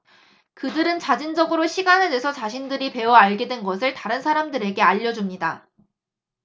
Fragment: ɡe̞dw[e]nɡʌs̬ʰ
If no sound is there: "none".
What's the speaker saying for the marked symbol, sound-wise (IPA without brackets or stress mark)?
e